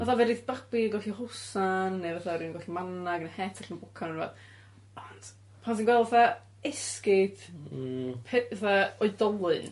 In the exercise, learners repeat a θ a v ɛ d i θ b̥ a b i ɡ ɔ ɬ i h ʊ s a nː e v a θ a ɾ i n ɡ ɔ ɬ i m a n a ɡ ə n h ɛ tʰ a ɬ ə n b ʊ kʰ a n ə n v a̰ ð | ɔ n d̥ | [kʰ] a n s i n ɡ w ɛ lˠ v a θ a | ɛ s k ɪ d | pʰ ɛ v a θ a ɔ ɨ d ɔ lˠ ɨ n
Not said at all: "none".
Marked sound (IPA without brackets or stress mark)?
pʰ